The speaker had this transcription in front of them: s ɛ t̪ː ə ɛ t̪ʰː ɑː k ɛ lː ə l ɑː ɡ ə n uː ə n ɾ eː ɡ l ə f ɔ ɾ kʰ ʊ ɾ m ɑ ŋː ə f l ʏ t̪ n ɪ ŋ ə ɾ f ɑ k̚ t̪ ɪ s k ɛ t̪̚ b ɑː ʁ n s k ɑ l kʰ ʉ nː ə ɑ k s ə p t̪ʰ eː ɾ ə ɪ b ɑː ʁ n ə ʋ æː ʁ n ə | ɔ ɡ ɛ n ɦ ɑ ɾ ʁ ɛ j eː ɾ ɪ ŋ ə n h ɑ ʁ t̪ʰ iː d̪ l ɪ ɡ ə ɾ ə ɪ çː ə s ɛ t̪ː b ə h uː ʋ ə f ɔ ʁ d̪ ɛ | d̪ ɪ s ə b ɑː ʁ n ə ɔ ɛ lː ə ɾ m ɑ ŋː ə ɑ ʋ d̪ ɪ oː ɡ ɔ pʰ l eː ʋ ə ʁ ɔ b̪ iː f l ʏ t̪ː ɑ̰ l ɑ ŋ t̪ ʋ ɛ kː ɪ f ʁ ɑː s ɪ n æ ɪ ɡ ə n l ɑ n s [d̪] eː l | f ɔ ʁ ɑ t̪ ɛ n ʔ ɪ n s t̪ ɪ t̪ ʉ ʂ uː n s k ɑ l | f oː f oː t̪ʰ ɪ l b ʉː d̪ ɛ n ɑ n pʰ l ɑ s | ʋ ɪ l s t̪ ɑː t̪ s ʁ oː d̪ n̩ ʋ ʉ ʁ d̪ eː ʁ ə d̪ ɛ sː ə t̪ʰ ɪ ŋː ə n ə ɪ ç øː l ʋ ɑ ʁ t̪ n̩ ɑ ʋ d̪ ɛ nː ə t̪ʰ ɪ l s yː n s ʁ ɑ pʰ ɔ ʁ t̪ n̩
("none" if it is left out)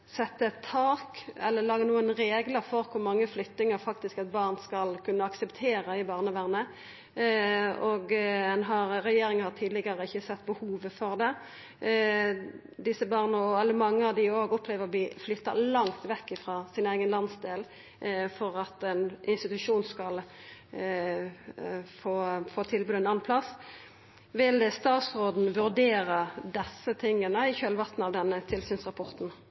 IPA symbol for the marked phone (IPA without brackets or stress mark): d̪